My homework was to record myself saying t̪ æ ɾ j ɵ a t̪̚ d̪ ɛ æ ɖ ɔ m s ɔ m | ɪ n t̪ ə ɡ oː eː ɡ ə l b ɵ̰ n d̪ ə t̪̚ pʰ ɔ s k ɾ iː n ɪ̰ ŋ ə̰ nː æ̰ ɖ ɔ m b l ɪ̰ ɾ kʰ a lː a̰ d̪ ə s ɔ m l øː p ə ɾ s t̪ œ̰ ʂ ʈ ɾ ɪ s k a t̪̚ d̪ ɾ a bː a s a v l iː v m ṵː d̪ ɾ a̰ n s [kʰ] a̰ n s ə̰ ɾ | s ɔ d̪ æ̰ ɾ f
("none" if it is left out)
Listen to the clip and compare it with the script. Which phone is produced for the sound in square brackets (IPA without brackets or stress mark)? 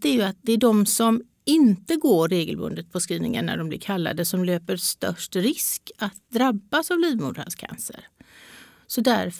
kʰ